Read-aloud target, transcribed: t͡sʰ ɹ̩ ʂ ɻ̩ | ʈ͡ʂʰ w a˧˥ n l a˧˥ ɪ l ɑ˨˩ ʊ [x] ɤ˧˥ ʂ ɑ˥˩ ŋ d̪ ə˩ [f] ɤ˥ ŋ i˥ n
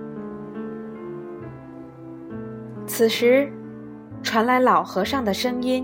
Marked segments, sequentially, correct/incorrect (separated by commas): correct, incorrect